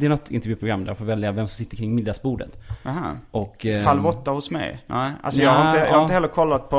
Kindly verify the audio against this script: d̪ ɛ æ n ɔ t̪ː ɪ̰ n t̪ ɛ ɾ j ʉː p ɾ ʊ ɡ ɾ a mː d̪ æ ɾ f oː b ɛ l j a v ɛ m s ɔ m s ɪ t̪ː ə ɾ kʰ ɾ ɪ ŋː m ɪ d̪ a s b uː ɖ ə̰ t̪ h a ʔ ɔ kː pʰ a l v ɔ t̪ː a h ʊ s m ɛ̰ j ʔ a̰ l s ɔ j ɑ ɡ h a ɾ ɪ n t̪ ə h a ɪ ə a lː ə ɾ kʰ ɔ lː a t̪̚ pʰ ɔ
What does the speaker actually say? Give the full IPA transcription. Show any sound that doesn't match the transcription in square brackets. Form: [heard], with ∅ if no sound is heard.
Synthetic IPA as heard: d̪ ɛ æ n ɔ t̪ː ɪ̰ n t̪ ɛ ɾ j ʉː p ɾ ʊ ɡ ɾ a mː d̪ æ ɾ f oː [v] ɛ l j a v ɛ m s ɔ m s ɪ t̪ː ə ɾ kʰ ɾ ɪ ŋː m ɪ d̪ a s b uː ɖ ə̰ t̪ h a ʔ ɔ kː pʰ a l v ɔ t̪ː a h ʊ s m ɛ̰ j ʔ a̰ l s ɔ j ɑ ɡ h a ɾ ɪ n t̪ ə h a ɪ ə [ɛ] lː ə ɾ kʰ ɔ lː a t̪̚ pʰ ɔ